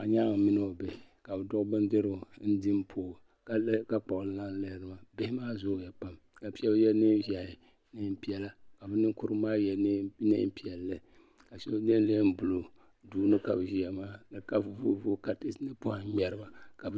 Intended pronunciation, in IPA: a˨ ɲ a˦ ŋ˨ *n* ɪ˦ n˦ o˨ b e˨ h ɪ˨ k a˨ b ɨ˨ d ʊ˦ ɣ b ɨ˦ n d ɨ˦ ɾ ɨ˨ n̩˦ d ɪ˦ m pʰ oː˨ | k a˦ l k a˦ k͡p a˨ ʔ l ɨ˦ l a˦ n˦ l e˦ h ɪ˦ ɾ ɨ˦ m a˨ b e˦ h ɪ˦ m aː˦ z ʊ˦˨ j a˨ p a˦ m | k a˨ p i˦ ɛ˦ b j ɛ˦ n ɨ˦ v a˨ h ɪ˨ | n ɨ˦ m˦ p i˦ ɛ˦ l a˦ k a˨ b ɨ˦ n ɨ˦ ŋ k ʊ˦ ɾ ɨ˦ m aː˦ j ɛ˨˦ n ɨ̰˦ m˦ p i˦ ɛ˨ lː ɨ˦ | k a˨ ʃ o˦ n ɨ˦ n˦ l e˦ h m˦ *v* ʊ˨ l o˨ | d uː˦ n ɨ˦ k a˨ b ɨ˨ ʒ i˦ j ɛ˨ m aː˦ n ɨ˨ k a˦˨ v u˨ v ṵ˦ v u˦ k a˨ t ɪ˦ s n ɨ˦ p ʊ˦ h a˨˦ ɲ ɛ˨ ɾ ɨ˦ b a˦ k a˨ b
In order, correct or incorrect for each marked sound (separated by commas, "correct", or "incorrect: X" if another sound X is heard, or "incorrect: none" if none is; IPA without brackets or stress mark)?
incorrect: m, incorrect: b